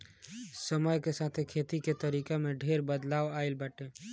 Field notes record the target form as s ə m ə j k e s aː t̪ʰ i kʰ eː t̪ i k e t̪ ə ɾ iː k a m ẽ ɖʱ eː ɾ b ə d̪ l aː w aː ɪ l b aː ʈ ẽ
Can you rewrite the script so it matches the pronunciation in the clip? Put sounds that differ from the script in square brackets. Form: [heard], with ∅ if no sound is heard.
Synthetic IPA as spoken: s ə m ə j k e s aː t̪ʰ [e] kʰ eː t̪ i k e t̪ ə ɾ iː k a m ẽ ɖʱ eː ɾ b ə d̪ l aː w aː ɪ l b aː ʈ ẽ